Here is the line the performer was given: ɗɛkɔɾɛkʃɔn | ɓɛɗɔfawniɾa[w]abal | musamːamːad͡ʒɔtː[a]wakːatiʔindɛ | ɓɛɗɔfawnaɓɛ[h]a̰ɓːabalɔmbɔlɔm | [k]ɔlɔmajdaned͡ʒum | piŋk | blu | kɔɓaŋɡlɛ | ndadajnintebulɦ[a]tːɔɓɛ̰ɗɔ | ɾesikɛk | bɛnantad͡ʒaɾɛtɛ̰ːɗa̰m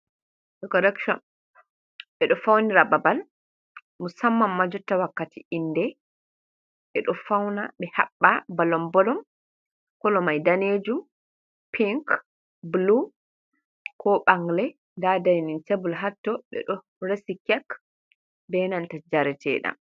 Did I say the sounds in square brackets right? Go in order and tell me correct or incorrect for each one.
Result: incorrect, correct, correct, correct, correct

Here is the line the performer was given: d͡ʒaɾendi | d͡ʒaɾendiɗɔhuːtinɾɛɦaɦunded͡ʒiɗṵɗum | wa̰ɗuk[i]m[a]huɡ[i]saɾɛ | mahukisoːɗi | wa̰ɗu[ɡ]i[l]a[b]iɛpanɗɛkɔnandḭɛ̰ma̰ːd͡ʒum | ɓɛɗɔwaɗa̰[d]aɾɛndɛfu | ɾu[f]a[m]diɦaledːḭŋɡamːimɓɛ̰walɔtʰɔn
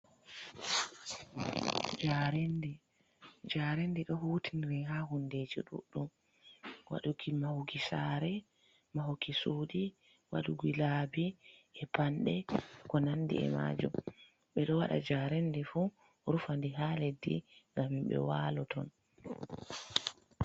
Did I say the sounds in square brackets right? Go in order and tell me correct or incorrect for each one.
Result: correct, correct, correct, correct, correct, correct, incorrect, correct, incorrect

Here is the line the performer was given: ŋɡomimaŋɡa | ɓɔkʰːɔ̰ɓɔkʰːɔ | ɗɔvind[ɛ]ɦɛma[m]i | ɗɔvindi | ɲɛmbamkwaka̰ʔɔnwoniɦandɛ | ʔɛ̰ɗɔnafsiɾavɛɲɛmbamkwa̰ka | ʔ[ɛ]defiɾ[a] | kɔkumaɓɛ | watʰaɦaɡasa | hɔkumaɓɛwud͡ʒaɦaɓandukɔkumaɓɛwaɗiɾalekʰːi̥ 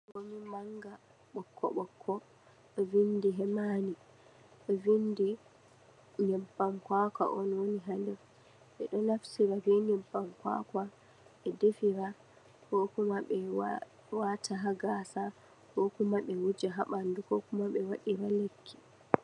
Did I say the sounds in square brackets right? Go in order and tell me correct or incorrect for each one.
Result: incorrect, incorrect, correct, correct

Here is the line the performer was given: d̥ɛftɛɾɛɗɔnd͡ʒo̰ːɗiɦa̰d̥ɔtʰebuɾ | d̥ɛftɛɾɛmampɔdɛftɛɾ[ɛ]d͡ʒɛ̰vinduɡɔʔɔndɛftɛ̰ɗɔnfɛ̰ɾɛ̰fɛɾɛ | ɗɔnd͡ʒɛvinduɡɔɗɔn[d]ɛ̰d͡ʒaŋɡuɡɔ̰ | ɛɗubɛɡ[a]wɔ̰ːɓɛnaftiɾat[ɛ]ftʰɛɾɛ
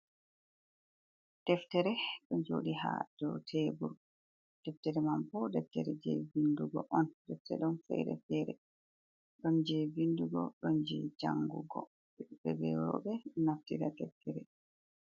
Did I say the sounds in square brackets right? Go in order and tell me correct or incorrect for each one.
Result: correct, incorrect, incorrect, correct

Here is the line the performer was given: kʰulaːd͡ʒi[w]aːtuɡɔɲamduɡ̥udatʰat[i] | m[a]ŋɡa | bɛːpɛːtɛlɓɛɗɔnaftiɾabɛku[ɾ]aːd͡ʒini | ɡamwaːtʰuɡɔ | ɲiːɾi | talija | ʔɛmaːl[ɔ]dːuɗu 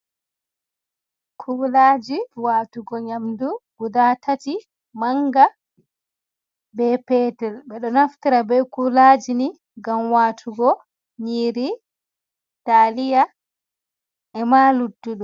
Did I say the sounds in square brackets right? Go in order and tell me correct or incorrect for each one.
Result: correct, correct, correct, incorrect, incorrect

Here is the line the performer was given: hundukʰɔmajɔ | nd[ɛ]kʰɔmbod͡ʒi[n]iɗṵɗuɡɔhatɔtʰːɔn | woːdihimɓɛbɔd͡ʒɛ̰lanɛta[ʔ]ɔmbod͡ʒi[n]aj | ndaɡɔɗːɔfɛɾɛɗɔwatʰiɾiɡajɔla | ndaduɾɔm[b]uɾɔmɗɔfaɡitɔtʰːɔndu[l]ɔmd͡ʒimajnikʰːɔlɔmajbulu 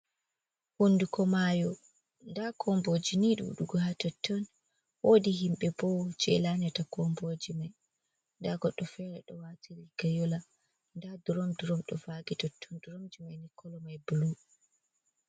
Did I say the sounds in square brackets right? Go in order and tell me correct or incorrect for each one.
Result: incorrect, correct, incorrect, incorrect, incorrect, incorrect

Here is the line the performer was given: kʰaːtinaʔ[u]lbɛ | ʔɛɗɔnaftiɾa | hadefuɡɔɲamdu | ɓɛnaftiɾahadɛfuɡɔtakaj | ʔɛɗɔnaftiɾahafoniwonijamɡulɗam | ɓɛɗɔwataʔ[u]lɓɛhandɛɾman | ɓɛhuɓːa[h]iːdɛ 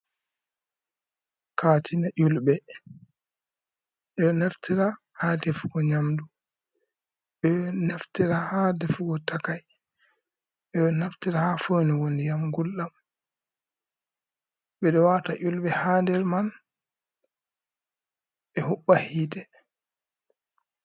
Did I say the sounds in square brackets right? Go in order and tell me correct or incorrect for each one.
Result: correct, correct, correct

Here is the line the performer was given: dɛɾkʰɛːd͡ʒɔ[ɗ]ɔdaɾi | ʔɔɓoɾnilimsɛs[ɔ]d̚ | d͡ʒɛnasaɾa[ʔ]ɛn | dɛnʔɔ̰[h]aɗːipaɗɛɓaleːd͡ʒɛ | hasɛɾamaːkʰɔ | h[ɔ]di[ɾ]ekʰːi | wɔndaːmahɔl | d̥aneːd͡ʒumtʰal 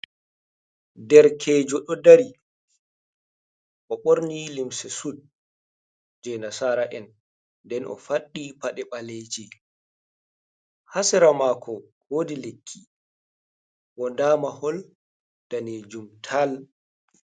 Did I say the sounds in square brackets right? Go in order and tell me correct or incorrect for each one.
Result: correct, incorrect, correct, incorrect, incorrect, incorrect

